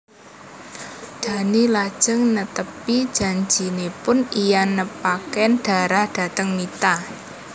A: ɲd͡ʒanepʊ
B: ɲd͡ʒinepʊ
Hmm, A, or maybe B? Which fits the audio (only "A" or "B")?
B